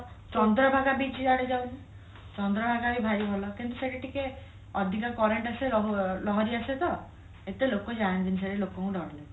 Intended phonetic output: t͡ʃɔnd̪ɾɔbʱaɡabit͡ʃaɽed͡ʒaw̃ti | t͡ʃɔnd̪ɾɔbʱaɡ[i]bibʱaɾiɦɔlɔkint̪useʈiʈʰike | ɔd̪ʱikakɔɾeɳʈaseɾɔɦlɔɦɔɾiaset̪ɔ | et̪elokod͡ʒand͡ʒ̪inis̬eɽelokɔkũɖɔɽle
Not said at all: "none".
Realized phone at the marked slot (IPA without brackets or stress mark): a